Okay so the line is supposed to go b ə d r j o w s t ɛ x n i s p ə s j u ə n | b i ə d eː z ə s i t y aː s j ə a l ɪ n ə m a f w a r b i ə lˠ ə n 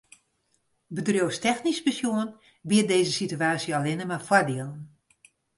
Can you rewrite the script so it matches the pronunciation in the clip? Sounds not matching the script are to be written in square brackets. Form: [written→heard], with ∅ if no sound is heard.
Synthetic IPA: b ə d r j o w s t ɛ x n i s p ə s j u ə n | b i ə d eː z ə s i t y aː s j ə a l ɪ n ə m a f w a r [b→d] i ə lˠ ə n